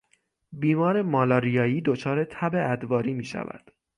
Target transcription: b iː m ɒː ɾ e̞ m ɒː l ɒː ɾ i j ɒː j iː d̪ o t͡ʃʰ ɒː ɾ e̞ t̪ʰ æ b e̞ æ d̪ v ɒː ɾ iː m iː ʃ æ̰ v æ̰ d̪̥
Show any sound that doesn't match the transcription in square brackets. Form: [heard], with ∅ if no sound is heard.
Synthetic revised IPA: b iː m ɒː ɾ e̞ m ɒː l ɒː ɾ i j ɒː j iː d̪ o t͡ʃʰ ɒː ɾ e̞ t̪ʰ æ b e̞ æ d̪ v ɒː ɾ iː m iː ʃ æ̰ v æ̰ d̪̥